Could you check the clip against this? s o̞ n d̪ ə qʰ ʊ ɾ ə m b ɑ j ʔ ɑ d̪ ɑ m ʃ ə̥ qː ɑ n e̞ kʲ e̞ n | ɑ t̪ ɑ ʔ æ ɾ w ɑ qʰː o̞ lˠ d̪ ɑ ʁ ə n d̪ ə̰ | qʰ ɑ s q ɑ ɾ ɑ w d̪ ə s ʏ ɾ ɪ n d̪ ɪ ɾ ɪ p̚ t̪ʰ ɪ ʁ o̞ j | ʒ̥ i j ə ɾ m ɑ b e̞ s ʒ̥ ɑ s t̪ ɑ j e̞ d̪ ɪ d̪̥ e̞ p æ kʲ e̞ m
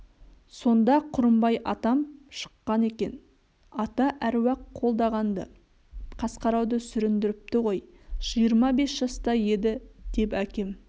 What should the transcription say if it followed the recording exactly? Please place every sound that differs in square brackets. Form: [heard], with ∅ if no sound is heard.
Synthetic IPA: s o̞ n d̪ [ɑ] qʰ ʊ ɾ ə m b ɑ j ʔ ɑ [t̪] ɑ m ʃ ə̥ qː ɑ n e̞ kʲ e̞ n | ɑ t̪ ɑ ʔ æ ɾ w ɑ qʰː o̞ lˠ d̪ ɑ ʁ [ɑ] n d̪ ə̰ | qʰ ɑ s q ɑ ɾ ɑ w d̪ ə s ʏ ɾ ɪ n d̪ ɪ ɾ ɪ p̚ [t̪] ɪ ʁ o̞ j | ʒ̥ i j ə ɾ m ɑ b e̞ s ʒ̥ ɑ s t̪ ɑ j e̞ d̪ ɪ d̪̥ e̞ p æ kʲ e̞ m